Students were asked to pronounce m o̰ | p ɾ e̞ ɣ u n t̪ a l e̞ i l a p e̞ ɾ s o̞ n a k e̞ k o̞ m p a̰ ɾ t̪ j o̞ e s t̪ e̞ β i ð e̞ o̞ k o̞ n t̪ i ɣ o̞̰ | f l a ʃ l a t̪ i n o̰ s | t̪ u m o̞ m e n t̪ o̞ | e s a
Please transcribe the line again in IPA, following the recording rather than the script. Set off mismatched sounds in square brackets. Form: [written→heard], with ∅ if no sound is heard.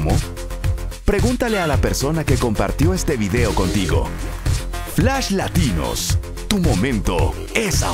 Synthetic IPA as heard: m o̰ | p ɾ e̞ ɣ u n t̪ a l e̞ [i→a] l a p e̞ ɾ s o̞ n a k e̞ k o̞ m p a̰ ɾ t̪ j o̞ e s t̪ e̞ β i ð e̞ o̞ k o̞ n t̪ i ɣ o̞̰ | f l a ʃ l a t̪ i n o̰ s | t̪ u m o̞ m [e→ẽ] n t̪ o̞ | e s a